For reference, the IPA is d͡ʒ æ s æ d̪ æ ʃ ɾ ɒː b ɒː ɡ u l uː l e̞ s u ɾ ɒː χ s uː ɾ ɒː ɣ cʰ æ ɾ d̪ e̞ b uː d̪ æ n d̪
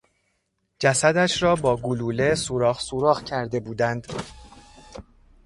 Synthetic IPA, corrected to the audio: d͡ʒ æ s æ d̪ æ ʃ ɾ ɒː b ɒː ɡ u l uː l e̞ s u ɾ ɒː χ s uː ɾ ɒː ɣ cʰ æ ɾ d̪ e̞ b uː d̪ æ n d̪